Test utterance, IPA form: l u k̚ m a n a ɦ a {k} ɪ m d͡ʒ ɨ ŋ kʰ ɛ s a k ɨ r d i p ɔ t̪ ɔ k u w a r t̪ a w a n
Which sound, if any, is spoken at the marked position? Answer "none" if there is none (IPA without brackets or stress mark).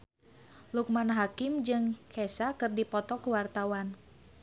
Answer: k